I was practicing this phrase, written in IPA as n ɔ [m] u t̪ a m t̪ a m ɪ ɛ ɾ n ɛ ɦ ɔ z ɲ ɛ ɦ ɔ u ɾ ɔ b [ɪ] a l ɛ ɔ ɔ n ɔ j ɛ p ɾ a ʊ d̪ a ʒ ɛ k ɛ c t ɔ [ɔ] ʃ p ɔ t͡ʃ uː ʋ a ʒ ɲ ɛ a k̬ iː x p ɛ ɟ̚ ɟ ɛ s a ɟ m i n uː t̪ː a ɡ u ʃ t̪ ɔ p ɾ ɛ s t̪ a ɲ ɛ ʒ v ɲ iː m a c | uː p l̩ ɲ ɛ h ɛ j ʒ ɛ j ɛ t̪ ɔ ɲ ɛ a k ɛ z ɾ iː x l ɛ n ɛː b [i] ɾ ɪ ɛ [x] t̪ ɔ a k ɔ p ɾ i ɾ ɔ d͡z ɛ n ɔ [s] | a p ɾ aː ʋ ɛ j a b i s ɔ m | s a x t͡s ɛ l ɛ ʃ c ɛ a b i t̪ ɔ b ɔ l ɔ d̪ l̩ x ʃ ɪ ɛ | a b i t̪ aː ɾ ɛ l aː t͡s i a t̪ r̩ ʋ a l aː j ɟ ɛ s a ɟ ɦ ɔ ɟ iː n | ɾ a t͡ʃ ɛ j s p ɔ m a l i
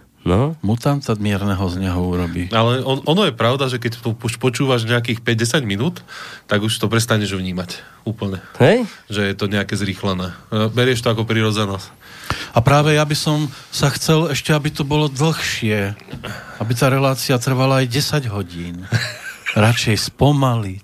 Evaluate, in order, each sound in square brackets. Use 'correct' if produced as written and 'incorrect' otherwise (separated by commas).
correct, incorrect, incorrect, incorrect, incorrect, correct